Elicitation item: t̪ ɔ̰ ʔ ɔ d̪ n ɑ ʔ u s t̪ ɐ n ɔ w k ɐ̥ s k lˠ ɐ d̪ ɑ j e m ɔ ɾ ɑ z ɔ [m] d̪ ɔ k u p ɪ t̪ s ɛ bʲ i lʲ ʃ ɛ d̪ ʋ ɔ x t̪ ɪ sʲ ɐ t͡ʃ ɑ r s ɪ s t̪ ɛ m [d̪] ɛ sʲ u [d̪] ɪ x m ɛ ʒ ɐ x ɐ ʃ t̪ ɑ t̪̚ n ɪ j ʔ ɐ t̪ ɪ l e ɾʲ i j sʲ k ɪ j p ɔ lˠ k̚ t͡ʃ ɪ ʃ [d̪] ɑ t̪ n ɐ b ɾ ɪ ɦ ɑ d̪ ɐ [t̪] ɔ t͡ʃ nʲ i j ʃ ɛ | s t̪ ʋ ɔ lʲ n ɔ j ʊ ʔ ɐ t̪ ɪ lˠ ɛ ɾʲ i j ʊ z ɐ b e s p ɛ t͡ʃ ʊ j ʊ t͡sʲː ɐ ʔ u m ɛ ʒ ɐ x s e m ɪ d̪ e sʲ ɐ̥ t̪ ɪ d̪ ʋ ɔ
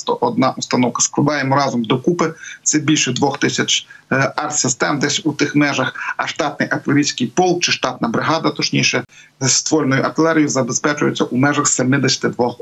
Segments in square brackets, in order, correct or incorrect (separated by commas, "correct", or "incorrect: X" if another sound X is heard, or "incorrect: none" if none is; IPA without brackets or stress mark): correct, correct, incorrect: t̪, incorrect: t̪, correct